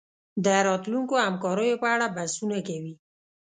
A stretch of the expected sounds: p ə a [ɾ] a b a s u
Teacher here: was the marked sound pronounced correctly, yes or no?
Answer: no